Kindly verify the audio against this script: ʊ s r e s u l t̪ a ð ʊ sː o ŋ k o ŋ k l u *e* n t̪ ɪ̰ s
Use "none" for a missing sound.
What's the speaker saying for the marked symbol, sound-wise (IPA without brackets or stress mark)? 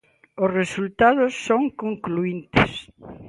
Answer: i